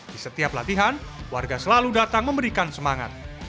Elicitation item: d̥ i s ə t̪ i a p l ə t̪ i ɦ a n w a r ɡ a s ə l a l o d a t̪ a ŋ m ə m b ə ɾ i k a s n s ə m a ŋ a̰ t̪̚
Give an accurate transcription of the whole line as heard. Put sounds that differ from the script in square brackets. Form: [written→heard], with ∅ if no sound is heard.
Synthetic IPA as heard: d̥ i s ə t̪ i a p l [ə→a] t̪ i ɦ a n w a r ɡ a s ə l a l [o→u] d a t̪ a ŋ m ə m b ə ɾ i k a [s→∅] n s ə m a ŋ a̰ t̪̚